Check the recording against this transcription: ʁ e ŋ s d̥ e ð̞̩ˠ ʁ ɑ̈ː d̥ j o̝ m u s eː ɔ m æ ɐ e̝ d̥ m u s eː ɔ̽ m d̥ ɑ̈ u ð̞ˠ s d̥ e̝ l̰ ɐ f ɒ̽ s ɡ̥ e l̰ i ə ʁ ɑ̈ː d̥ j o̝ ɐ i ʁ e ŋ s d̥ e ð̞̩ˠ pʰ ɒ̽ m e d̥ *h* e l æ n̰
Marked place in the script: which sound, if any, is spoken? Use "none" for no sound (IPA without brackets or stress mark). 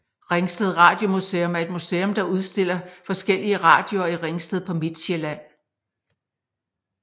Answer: ɕ